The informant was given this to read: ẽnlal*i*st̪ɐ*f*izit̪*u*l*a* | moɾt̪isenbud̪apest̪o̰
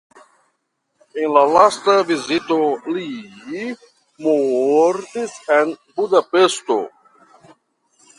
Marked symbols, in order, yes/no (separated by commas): no, no, no, no